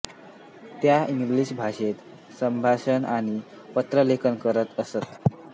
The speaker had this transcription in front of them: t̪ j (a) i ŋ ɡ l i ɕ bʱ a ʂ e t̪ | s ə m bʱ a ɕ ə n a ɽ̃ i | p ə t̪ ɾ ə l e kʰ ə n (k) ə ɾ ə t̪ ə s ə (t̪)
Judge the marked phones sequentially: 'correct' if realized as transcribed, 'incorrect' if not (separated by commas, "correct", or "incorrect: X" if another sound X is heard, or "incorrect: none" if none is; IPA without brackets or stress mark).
correct, correct, correct